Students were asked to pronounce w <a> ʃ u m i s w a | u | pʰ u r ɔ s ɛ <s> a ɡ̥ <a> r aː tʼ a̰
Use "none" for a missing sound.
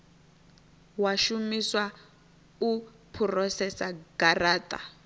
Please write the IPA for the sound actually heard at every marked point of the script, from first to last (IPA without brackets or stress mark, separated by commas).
a, s, a